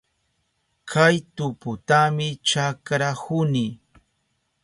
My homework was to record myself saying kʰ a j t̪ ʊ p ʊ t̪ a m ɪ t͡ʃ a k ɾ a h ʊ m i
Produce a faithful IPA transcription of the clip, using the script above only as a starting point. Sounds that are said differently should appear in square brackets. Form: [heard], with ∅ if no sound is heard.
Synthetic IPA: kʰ a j t̪ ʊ p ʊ t̪ a m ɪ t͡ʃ a k ɾ a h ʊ [n] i

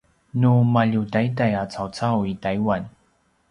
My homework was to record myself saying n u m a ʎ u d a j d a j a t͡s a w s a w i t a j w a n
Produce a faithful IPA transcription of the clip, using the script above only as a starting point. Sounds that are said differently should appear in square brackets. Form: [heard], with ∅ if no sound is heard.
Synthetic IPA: n u m a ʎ u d a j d a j a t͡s a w [t͡s] a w i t a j w a n

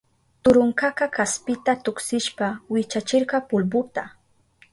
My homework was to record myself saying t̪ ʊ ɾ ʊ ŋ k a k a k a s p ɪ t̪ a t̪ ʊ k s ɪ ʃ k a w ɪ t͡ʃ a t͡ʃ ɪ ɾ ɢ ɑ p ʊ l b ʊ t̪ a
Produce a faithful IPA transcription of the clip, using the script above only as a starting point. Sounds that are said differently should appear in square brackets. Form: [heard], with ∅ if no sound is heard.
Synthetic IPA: t̪ ʊ ɾ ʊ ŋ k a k a k a s p ɪ t̪ a t̪ ʊ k s ɪ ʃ [p] a w ɪ t͡ʃ a t͡ʃ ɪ ɾ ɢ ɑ p ʊ l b ʊ t̪ a

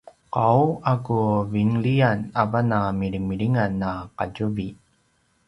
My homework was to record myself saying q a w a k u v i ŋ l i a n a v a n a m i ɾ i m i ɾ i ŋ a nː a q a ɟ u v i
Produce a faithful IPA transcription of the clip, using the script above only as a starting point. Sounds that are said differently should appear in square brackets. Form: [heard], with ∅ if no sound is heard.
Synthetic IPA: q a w a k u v i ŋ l i a n a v a n a m i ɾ i m i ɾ i ŋ a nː a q a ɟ u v i

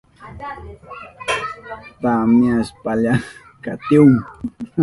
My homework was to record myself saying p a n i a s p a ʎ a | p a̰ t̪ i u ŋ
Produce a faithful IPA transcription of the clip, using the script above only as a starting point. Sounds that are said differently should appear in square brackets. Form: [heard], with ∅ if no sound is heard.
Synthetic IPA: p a [m] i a s p a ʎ a | [k] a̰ t̪ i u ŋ

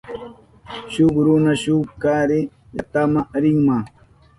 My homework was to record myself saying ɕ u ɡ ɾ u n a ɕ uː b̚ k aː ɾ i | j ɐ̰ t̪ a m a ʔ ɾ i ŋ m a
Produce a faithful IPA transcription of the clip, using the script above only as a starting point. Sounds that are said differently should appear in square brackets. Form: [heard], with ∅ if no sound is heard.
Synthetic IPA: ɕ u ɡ ɾ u n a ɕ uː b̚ k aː ɾ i | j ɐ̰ t̪ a m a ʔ ɾ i ŋ m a

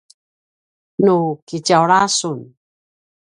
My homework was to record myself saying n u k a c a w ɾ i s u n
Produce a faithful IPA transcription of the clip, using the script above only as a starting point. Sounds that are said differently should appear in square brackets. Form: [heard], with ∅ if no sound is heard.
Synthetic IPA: n u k [i] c a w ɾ [a] s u n

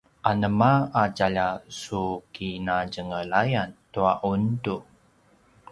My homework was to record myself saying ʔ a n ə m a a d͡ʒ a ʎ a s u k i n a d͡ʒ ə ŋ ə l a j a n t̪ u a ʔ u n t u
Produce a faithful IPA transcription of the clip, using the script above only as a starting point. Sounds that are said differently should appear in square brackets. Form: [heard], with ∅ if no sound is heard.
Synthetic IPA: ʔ a n ə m a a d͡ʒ a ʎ a s u k i n a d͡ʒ ə ŋ ə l a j a n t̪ u a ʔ u n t u

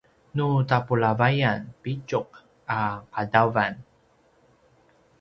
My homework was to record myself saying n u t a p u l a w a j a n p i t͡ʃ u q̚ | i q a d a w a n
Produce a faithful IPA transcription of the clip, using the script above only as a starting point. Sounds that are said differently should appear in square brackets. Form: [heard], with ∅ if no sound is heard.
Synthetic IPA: n u t a p u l a [v] a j a n p i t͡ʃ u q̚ | [a] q a d a [v] a n

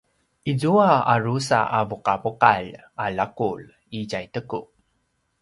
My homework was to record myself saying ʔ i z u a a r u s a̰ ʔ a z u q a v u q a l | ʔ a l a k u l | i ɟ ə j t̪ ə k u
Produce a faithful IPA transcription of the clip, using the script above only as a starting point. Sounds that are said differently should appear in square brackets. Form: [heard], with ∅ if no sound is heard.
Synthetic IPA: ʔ i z u a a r u s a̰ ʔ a [v] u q a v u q a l | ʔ a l a k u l | i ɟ [a] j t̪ ə k u

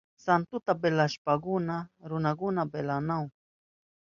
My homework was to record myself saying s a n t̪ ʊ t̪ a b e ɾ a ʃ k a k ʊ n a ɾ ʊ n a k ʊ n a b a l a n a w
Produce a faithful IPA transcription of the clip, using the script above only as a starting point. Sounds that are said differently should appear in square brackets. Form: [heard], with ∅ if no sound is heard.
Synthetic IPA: s a n t̪ ʊ t̪ a b e [l] a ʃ [p] a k ʊ n a ɾ ʊ n a k ʊ n a b [e] l a n a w

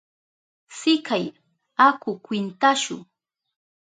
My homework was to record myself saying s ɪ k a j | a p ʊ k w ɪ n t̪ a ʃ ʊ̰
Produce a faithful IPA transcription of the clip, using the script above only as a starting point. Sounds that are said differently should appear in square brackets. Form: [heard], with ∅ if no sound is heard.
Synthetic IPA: s ɪ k a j | a [k] ʊ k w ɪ n t̪ a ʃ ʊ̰

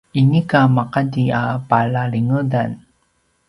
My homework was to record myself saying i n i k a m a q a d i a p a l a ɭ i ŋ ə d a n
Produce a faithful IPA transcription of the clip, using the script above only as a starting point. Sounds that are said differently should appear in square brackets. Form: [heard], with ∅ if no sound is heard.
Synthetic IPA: i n i k a m a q a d i a p a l a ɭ i ŋ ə d a n

